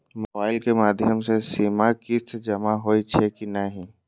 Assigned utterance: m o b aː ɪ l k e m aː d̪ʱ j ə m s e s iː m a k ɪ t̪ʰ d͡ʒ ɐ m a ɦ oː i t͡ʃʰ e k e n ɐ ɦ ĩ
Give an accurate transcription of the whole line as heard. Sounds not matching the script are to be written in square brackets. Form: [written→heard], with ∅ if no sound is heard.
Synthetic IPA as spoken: m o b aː ɪ l k e m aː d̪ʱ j ə m s e s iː m a k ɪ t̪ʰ d͡ʒ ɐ m a ɦ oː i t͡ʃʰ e k [e→i] n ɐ ɦ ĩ